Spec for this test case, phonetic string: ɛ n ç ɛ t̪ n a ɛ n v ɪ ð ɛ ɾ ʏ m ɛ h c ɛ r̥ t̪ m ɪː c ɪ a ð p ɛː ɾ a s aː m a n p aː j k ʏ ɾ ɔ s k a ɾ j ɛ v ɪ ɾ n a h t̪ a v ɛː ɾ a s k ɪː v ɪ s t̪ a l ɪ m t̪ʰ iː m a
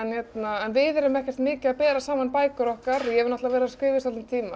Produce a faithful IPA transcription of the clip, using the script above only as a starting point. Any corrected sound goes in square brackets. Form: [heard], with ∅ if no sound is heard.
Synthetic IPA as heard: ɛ n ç ɛ t̪ n a ɛ n v ɪ ð ɛ ɾ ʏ m ɛ h c ɛ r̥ t̪ m ɪː c ɪ a ð p ɛː ɾ a s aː m a n p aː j k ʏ ɾ ɔ [h] k a ɾ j ɛ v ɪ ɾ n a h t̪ a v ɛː ɾ a s k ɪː v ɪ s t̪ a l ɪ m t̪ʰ iː m a